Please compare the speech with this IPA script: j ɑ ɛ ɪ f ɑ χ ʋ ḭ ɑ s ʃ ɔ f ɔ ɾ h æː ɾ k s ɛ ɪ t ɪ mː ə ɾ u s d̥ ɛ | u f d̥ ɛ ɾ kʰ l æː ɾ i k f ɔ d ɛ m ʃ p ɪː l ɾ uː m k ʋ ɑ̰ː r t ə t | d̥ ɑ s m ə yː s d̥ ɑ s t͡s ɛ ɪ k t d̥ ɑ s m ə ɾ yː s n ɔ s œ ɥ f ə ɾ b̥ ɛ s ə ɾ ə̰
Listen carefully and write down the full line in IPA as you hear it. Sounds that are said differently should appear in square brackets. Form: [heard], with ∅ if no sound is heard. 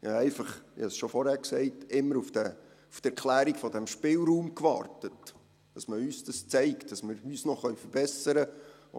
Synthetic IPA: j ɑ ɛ ɪ f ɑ χ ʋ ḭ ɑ s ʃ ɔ f ɔ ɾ h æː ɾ k s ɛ ɪ t ɪ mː ə ɾ u [f] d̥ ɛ | u f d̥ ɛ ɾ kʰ l æː ɾ i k f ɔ d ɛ m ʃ p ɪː l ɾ uː m k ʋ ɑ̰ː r t ə t | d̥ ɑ s m ə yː s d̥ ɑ s t͡s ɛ ɪ k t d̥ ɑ s m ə ɾ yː s n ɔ [χ] œ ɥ f ə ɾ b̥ ɛ s ə ɾ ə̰